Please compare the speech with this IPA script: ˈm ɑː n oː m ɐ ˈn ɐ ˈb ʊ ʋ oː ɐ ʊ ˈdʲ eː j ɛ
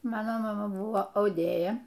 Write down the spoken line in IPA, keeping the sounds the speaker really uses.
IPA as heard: ˈm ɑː n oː m ɐ ˈm ɐ ˈb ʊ ʋ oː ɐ ʊ ˈdʲ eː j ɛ